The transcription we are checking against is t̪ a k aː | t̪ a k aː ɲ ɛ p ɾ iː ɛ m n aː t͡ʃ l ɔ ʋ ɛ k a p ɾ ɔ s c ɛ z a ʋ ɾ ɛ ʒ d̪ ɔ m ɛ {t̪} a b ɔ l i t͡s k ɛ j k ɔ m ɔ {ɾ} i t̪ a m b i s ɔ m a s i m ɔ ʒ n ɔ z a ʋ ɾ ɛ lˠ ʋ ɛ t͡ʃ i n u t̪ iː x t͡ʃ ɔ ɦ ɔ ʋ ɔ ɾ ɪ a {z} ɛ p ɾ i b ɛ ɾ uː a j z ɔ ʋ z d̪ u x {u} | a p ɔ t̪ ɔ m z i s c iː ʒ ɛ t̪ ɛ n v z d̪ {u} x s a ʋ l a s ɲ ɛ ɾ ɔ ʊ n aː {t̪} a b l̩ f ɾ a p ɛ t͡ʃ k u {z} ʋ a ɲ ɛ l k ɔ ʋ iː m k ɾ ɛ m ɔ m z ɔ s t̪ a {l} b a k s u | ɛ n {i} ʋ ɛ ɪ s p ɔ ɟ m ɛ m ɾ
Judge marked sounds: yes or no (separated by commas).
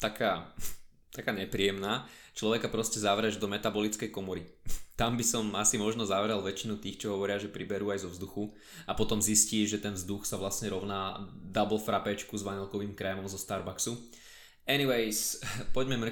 yes, yes, no, yes, yes, no, yes, no, yes